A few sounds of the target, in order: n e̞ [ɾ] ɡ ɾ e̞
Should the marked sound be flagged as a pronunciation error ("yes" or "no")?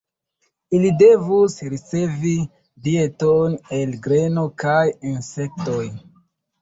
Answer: yes